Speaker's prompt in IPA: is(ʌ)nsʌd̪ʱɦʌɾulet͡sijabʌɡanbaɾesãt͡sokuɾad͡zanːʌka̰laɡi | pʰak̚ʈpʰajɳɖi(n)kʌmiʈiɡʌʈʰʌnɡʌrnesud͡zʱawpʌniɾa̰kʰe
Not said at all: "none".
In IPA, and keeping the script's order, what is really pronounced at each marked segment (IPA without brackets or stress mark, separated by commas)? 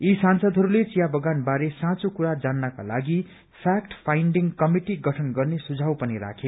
a, ŋ